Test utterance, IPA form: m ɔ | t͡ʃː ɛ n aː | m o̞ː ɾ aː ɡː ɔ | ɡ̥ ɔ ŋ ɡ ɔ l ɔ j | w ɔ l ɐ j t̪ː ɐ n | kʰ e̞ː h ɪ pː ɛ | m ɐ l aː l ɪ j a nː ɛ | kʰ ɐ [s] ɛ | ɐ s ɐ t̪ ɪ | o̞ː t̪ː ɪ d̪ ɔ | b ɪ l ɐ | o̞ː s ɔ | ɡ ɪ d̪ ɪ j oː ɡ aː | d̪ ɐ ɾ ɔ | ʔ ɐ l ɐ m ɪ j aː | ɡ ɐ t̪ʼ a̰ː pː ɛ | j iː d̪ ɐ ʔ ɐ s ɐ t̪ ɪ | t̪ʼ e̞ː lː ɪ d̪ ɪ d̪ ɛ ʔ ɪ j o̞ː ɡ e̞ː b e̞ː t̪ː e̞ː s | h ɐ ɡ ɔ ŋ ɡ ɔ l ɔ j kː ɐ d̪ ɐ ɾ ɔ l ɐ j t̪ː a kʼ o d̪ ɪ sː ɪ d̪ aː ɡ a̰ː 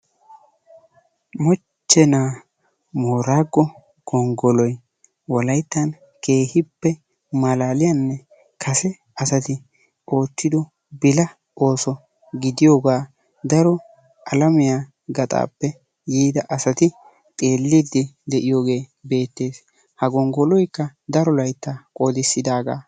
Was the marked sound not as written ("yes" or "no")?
no